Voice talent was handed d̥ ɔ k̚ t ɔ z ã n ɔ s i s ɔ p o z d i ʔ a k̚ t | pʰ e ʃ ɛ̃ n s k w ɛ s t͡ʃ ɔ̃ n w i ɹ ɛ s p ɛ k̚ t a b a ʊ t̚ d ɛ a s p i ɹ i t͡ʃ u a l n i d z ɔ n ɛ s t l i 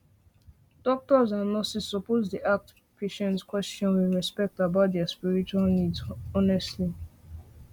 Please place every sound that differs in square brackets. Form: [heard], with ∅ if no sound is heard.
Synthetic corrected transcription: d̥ ɔ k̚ t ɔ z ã n ɔ s i s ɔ p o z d i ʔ a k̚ t | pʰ e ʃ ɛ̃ n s k w ɛ s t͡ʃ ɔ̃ n w i ɹ ɛ s p ɛ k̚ t a b a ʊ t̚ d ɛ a s p i ɹ i t͡ʃ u a l n i d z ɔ n ɛ s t l i